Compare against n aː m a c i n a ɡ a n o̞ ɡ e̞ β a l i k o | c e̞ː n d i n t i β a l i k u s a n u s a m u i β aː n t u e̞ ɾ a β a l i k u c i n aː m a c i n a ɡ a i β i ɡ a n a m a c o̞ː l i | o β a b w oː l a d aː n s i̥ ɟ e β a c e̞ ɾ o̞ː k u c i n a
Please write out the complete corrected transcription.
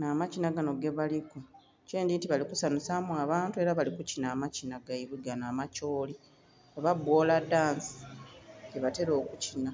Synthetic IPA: n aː m a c i n a ɡ a n o̞ ɡ e̞ β a l i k o | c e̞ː n d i n t i β a l i k u s a n u s a m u a β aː n t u e̞ ɾ a β a l i k u c i n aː m a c i n a ɡ a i β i ɡ a n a m a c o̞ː l i | o β a b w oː l a d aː n s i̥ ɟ e β a t e̞ ɾ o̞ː k u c i n a